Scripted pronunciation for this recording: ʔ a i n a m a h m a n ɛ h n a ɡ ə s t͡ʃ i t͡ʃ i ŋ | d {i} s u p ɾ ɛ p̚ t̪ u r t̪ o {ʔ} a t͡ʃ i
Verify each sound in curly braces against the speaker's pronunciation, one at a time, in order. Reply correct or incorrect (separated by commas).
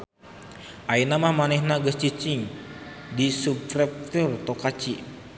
correct, incorrect